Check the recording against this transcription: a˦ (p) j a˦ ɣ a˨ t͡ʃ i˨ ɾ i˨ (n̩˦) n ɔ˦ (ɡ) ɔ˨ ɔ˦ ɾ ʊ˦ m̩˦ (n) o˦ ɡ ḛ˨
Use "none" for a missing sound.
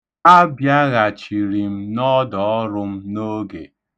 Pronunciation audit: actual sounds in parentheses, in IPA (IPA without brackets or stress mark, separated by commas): b, m̩˦, d, n